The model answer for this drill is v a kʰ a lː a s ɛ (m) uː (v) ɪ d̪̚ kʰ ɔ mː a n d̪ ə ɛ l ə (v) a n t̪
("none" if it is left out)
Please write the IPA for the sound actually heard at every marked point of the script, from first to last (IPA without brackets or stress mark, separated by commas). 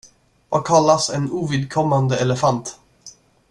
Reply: n, v, f